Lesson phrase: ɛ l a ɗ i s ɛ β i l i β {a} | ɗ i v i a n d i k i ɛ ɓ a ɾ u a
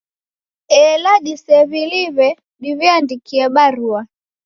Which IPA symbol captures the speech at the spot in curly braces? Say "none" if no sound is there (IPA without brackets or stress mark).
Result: ɛ